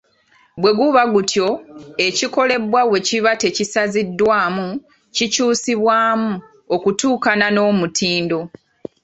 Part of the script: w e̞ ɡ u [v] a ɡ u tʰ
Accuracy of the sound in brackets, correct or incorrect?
incorrect: β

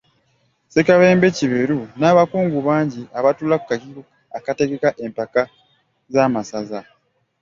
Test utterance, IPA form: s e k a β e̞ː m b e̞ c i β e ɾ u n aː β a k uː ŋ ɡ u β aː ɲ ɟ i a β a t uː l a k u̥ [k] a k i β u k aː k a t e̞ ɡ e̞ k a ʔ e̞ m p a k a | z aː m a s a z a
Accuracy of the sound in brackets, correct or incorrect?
correct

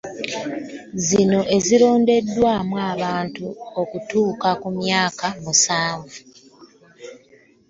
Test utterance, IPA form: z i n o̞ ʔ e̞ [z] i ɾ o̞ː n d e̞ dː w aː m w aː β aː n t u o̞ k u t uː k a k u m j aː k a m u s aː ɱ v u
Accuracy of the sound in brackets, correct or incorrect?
correct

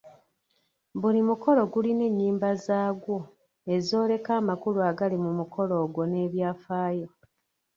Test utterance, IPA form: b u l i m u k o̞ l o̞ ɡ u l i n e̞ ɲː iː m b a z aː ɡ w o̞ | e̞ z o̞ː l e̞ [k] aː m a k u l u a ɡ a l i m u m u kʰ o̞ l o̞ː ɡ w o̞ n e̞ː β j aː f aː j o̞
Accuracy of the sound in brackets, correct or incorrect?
correct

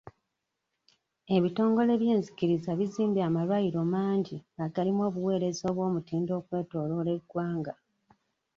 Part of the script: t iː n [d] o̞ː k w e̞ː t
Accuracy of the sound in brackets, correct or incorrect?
correct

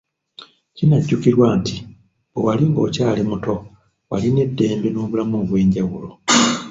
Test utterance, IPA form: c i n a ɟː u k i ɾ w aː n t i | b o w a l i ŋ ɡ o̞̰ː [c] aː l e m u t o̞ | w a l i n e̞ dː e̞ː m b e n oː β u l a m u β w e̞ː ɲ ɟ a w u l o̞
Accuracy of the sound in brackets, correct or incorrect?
correct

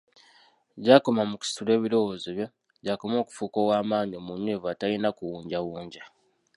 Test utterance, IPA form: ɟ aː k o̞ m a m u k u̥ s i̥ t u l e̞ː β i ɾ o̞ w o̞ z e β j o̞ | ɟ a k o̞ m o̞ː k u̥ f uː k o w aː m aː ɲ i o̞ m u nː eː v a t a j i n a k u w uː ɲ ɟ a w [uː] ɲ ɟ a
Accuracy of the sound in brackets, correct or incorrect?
correct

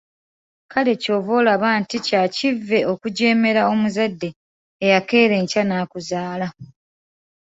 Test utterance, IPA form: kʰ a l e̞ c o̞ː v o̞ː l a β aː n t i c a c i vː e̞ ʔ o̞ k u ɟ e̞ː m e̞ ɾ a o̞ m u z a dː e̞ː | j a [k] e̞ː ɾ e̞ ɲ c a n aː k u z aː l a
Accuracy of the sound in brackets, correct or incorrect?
correct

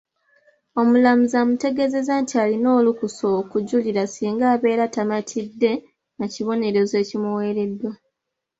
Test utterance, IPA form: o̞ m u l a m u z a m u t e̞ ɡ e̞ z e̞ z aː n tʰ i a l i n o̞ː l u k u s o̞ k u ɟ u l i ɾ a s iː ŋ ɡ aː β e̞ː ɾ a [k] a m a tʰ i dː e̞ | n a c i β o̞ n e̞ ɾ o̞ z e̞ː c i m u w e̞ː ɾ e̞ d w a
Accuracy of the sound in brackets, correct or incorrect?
incorrect: t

